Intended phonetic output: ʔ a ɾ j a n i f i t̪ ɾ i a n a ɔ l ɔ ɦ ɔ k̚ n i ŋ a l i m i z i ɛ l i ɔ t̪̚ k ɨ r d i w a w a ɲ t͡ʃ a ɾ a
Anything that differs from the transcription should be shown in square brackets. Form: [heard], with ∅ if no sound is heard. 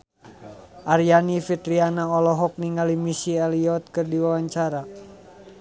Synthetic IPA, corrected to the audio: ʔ a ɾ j a n i f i t̪ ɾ i a n a ɔ l ɔ ɦ ɔ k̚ n i ŋ a l i m i [s] i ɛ l i ɔ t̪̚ k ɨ r d i w a w a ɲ t͡ʃ a ɾ a